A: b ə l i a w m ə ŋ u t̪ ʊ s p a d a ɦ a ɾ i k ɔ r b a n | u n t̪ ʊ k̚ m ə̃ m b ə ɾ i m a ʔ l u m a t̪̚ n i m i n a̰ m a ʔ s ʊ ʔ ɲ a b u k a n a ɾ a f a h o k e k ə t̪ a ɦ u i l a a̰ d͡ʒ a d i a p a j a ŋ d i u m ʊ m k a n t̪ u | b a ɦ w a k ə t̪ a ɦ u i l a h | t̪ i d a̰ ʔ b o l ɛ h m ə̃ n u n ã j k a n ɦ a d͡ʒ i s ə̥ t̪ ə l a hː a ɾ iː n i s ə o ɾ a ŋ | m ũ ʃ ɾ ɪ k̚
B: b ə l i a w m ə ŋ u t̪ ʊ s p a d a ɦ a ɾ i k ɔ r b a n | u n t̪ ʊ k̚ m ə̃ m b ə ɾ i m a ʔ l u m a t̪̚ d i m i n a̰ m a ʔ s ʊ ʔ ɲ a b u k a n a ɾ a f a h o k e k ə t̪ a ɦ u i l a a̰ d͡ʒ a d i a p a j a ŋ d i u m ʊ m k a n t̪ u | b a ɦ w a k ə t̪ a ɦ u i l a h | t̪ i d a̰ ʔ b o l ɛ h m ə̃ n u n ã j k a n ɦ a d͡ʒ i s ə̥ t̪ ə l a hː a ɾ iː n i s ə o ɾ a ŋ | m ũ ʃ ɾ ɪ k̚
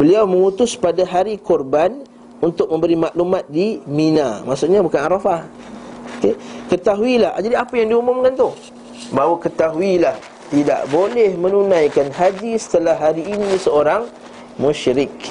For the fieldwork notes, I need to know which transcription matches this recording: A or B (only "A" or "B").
B